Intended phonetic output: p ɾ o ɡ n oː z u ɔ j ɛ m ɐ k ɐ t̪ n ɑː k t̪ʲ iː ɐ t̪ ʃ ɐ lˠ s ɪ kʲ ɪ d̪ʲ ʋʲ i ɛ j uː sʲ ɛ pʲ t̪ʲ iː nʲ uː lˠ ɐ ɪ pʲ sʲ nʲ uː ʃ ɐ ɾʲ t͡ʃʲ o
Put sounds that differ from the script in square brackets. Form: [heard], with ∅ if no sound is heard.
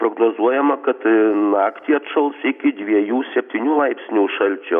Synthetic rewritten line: p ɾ o ɡ n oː z u ɔ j ɛ m ɐ k ɐ t̪ n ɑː k t̪ʲ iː ɐ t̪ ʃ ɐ lˠ s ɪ kʲ ɪ d̪ʲ ʋʲ i ɛ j uː sʲ ɛ pʲ t̪ʲ iː nʲ uː lˠ ɐ ɪ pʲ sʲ nʲ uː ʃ ɐ [lʲ] t͡ʃʲ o